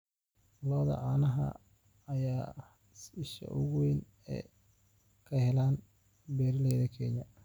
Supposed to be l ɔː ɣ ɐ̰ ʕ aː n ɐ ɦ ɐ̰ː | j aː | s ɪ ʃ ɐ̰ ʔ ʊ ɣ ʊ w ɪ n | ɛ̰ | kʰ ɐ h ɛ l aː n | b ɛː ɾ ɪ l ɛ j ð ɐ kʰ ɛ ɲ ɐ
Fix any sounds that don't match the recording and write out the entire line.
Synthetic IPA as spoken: l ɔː ð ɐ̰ ʕ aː n ɐ ɦ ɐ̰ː | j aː | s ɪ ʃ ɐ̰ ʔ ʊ ɣ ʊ w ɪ n | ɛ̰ | kʰ ɐ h ɛ l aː n | b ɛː ɾ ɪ l ɛ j ð ɐ kʰ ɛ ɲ ɐ

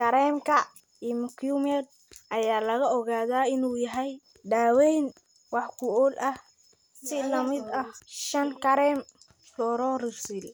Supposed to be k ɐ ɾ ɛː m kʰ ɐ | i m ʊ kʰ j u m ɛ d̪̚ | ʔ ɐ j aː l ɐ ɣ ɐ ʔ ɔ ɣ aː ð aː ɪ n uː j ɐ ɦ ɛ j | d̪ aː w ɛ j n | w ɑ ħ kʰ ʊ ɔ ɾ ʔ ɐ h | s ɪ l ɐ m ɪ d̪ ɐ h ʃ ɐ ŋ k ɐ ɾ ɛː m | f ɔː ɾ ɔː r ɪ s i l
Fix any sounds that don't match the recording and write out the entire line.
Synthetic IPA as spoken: k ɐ ɾ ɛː m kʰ ɐ | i m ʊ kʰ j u m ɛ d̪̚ | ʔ ɐ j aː l ɐ ɣ ɐ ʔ ɔ ɣ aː ð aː ɪ n uː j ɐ ɦ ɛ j | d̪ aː w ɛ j n | w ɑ ħ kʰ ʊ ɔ l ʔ ɐ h | s ɪ l ɐ m ɪ d̪ ɐ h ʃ ɐ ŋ k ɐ ɾ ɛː m | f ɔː ɾ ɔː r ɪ s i l

